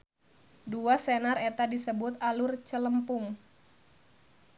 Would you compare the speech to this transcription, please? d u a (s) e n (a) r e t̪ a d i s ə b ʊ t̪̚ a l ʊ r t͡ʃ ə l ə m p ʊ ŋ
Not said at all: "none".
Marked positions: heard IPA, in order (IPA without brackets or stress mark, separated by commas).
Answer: s, a